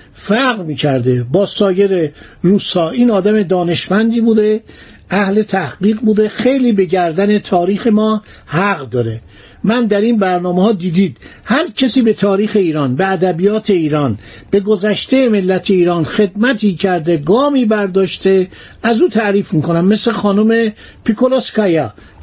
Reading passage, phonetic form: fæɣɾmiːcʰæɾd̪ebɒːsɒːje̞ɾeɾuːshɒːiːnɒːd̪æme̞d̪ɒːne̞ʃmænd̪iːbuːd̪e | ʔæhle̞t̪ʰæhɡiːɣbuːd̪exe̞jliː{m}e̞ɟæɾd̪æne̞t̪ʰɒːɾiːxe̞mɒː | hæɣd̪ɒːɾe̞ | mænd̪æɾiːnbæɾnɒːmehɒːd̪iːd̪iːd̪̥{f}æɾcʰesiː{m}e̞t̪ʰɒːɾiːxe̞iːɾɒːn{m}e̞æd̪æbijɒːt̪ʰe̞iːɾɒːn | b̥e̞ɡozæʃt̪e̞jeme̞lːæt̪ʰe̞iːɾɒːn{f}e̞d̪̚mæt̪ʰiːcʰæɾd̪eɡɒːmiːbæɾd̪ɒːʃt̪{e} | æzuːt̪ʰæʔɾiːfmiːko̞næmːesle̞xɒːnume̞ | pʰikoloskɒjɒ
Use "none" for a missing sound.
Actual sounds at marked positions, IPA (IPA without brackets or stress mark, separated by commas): b, h, b, b, x, e